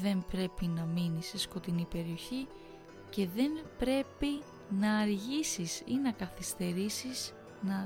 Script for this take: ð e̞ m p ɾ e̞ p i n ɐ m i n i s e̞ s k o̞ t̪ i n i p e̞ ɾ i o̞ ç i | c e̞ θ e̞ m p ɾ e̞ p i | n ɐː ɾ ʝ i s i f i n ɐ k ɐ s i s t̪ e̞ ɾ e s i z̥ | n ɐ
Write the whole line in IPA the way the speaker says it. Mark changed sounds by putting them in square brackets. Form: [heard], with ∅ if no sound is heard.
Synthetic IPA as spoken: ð e̞ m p ɾ e̞ p i n ɐ m i n i s e̞ s k o̞ t̪ i n i p e̞ ɾ i o̞ ç i | c e̞ [ð] e̞ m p ɾ e̞ p i | n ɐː ɾ ʝ i s i [s] i n ɐ k ɐ [θ] i s t̪ e̞ ɾ [i] s i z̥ | n ɐ